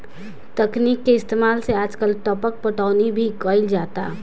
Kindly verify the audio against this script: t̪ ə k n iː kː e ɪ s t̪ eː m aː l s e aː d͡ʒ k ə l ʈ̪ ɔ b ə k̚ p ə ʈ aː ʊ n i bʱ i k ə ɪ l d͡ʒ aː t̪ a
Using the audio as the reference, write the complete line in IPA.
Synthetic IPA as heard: t̪ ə k n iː kː e ɪ s t̪ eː m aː l s e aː d͡ʒ k ə l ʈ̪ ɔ p ə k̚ p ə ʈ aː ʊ n i bʱ i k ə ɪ l d͡ʒ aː t̪ a